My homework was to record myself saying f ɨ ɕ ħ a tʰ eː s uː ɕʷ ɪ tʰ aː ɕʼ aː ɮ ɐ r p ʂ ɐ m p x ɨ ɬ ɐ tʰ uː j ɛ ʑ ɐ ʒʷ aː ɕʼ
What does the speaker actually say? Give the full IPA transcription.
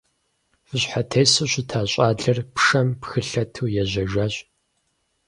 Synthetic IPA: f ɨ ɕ ħ a tʰ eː s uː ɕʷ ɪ tʰ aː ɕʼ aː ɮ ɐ r p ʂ ɐ m p x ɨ ɬ ɐ tʰ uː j ɛ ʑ ɐ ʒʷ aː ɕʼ